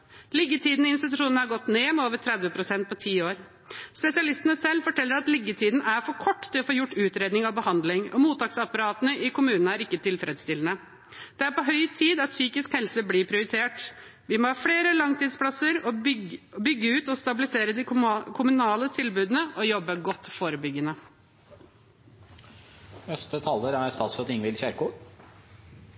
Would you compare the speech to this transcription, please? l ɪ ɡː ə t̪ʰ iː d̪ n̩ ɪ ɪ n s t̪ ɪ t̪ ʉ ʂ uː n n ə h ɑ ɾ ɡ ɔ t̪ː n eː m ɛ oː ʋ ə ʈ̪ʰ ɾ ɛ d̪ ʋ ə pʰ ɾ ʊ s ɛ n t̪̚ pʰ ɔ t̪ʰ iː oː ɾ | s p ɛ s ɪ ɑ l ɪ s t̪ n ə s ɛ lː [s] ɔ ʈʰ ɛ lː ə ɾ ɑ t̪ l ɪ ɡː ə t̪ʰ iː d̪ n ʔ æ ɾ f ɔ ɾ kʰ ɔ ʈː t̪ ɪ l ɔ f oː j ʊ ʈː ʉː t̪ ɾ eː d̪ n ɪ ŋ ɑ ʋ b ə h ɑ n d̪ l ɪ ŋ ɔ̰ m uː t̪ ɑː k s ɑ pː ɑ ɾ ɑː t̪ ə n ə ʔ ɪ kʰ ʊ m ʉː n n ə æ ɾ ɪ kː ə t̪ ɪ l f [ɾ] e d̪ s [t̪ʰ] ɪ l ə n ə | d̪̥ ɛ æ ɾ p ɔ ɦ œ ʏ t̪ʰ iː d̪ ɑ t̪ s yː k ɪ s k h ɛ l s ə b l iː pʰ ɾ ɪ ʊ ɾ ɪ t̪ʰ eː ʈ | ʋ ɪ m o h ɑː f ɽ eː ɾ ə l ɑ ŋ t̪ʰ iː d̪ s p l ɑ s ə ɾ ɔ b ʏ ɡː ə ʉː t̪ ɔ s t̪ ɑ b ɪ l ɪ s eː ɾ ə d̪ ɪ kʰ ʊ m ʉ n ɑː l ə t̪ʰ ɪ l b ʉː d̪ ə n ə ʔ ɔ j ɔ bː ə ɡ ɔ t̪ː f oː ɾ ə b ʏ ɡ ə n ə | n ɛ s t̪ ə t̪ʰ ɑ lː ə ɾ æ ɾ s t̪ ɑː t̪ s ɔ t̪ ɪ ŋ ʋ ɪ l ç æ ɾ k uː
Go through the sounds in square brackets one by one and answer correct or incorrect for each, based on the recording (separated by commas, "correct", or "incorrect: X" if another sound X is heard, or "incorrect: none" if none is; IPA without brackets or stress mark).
incorrect: f, correct, incorrect: t̪